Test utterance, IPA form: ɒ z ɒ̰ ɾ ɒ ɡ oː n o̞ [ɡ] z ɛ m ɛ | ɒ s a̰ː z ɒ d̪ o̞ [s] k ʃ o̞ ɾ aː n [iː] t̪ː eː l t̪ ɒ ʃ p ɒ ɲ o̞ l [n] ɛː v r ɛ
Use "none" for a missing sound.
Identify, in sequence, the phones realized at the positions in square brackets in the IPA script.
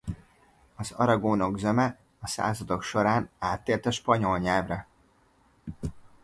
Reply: ɡ, none, aː, ɲ

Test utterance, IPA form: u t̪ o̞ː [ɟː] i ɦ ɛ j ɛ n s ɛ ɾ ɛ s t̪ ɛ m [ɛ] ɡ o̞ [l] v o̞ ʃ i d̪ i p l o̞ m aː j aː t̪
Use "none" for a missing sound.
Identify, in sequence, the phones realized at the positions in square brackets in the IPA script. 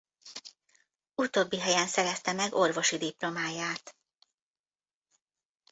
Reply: bː, ɛ, r

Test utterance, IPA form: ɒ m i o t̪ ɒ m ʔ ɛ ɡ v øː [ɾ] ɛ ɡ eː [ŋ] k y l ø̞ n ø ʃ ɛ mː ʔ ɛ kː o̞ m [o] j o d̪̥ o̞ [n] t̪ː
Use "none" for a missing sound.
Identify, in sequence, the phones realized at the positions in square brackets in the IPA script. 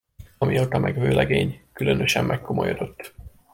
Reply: l, ɲ, o, none

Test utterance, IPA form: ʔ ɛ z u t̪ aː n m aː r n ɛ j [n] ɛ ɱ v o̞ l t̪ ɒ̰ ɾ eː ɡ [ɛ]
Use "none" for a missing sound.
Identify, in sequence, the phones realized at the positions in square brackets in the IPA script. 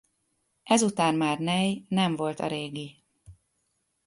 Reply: n, i

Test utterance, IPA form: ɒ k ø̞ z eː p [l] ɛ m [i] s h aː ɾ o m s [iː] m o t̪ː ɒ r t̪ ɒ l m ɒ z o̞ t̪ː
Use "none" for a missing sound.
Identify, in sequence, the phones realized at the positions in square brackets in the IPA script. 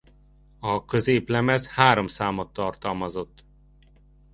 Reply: l, ɛ, aː

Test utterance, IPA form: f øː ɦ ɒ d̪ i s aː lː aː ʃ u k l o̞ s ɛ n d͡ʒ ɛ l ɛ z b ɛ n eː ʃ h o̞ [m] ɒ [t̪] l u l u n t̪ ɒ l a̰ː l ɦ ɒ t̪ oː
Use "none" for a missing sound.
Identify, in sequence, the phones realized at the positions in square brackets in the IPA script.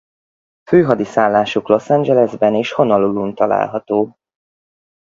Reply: n, none

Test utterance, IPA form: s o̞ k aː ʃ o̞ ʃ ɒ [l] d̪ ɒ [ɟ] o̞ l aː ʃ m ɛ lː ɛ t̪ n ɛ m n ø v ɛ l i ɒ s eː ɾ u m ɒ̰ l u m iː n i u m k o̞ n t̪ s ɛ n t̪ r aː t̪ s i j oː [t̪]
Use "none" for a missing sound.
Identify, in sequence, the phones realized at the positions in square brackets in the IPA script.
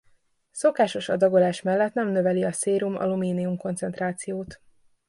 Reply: none, ɡ, t̪

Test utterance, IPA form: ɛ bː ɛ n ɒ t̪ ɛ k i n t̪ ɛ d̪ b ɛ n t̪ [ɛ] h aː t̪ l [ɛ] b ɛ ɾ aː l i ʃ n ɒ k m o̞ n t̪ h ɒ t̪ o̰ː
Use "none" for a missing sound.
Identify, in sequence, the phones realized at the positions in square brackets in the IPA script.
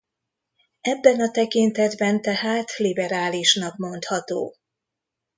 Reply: ɛ, i

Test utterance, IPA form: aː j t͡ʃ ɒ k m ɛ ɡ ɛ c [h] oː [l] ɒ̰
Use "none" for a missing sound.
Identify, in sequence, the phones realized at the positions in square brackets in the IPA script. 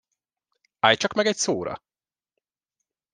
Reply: s, ɾ

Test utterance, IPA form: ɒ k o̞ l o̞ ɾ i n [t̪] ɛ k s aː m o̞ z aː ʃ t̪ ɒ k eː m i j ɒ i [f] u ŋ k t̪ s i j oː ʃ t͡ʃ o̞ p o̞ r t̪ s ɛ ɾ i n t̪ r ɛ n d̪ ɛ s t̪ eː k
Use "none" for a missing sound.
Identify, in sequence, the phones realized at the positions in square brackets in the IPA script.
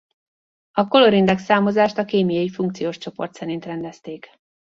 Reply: d̪, f

